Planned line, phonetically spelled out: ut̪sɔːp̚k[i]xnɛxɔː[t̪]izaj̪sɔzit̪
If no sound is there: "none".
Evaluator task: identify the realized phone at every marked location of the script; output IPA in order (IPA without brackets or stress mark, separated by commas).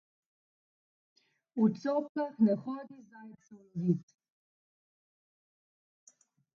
a, d̪